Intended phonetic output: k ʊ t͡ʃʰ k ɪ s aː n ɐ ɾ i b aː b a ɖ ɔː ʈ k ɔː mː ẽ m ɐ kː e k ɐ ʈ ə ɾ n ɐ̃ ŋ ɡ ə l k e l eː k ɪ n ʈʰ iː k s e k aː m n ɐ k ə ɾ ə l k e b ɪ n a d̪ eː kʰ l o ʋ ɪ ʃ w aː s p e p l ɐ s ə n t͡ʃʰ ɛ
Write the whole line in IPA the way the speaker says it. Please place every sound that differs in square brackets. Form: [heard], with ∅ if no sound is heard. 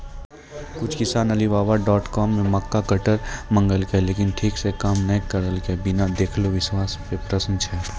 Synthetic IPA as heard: k ʊ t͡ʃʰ k ɪ s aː n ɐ [l] i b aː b a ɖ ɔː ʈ k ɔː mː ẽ m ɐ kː [a] k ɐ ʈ ə ɾ [m] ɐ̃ ŋ ɡ ə l k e l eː k ɪ n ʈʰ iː k s e k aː m n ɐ k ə ɾ ə l k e b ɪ n a d̪ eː kʰ l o ʋ ɪ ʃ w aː s p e p [ɾ] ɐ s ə n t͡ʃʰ ɛ

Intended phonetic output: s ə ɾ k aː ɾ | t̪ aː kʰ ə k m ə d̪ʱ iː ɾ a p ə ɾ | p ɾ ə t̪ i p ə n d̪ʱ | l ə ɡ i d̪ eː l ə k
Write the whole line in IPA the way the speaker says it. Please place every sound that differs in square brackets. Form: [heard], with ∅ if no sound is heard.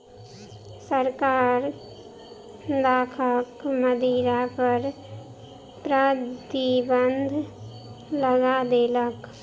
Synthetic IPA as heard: s ə ɾ k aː ɾ | [d̪] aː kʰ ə k m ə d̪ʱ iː ɾ a p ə ɾ | p ɾ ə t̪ i [b] ə n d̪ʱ | l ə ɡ [a] d̪ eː l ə k

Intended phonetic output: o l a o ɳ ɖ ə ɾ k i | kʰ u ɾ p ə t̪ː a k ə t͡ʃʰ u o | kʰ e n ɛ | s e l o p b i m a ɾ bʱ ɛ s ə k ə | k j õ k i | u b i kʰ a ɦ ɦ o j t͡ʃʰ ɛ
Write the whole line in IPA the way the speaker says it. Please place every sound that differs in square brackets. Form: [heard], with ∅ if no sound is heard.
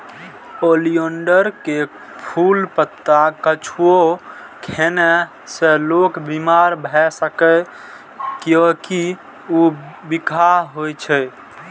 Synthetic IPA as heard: o l [i] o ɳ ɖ ə ɾ k [e] | [pʰ] u [l] p ə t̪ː a k ə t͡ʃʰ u o | kʰ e n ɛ | s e l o [k] b i m a ɾ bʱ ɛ s ə k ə | k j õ k i | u b i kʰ a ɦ ɦ o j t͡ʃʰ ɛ

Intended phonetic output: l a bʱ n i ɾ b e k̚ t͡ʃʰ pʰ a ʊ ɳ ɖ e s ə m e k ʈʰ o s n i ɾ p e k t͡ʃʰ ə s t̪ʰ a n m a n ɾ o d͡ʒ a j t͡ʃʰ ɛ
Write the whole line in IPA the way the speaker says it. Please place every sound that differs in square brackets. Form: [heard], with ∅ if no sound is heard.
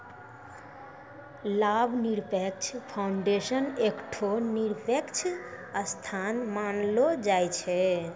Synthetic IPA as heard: l a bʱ n i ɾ [p] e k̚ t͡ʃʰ pʰ a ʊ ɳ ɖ e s ə [n] e k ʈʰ o [∅] n i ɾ p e k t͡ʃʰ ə s t̪ʰ a n m a n [l] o d͡ʒ a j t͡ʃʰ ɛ

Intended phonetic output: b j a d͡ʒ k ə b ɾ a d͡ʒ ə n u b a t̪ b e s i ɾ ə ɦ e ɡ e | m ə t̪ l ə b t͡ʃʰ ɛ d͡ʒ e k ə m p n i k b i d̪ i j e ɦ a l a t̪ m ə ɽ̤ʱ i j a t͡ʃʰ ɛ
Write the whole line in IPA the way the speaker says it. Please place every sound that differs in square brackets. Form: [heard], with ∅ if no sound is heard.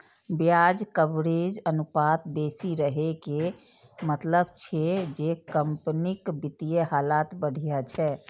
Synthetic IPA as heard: b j a d͡ʒ k ə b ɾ [e] d͡ʒ ə n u [p] a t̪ b e s i ɾ ə ɦ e [k] e | m ə t̪ l ə b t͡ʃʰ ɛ d͡ʒ e k ə m p n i k b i [t̪] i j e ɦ a l a t̪ [b] ə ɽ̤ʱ i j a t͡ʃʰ ɛ

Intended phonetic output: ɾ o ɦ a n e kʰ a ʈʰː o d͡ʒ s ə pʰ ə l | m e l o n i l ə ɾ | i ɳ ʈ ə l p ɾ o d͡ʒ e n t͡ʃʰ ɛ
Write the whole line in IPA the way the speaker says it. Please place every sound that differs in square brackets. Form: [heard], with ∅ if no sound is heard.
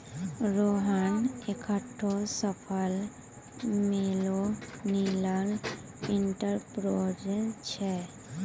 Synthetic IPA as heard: ɾ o ɦ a n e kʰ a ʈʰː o [∅] s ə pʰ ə l | m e l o n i l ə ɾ | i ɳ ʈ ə [ɾ] p ɾ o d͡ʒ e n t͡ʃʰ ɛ

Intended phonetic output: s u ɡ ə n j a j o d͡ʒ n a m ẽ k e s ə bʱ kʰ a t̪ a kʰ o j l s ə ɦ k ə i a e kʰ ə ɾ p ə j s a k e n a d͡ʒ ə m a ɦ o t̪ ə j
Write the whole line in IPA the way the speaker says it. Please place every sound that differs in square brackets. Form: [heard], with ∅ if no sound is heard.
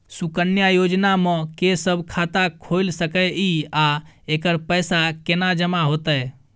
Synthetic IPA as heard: s u [k] ə n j a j o d͡ʒ n a m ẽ k e s ə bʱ kʰ a t̪ a kʰ o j l s ə [∅] k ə i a e [k] ə ɾ p ə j s a k e n a d͡ʒ ə m a ɦ o t̪ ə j

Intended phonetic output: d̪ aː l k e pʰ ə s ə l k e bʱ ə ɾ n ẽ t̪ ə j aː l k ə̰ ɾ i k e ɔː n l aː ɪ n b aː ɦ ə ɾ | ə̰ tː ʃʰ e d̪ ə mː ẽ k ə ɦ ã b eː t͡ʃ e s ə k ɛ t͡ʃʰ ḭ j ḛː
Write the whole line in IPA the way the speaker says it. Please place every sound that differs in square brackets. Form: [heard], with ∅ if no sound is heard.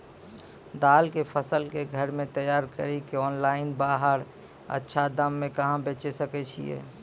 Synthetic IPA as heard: d̪ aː l k e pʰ ə s ə l k e [ɡʱ] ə ɾ [m] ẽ t̪ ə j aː [ɾ] k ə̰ ɾ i k e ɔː n l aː ɪ n b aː ɦ ə ɾ | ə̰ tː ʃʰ [a] d̪ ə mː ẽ k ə ɦ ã b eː t͡ʃ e s ə k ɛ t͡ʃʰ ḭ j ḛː

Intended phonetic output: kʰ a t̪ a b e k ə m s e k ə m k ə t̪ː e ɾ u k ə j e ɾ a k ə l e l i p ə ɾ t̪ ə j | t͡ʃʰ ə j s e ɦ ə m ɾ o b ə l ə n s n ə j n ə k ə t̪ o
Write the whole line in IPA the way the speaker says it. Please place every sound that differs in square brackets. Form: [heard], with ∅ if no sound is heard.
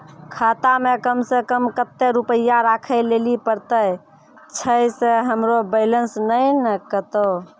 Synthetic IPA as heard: kʰ a t̪ a [m] e k ə m s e k ə m k ə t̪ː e ɾ u [p] ə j [a] ɾ a [kʰ] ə l e l i p ə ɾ t̪ ə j | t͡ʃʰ ə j s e ɦ ə m ɾ o b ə l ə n s n ə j n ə k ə t̪ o

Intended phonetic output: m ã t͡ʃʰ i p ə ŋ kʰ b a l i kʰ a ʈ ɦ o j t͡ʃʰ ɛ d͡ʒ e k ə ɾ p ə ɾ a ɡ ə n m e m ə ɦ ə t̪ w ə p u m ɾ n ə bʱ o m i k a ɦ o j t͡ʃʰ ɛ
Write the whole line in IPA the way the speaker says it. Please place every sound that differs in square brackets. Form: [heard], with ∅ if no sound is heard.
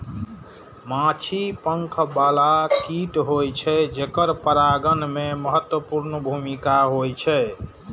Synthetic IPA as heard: m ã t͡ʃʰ i p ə ŋ kʰ b a l [a] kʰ [i] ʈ ɦ o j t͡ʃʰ ɛ d͡ʒ e k ə ɾ p ə ɾ a ɡ ə n m e m ə ɦ ə t̪ w ə p u [∅] ɾ n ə bʱ [u] m i k a ɦ o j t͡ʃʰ ɛ

